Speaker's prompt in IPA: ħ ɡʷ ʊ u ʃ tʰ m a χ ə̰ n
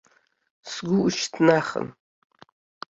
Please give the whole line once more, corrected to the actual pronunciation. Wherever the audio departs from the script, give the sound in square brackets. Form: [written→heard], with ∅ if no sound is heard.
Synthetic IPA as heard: [ħ→s] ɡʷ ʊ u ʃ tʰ [m→n] a χ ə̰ n

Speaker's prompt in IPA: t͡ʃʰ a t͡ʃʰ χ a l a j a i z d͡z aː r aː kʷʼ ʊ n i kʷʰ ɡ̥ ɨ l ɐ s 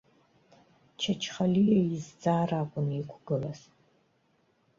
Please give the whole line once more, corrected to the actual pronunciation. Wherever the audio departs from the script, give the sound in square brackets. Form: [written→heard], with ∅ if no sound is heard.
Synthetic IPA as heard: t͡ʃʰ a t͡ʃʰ χ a l [a→i] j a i z d͡z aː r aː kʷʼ ʊ n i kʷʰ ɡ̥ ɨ l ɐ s

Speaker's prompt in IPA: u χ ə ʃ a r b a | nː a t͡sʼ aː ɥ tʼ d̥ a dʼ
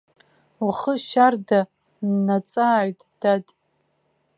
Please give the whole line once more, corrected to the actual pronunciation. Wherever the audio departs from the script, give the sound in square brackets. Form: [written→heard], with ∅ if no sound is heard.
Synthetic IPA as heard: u χ ə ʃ a r [b→d] a | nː a t͡sʼ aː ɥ tʼ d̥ a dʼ

